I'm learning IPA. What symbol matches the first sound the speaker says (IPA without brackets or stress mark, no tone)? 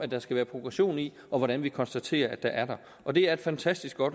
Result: æ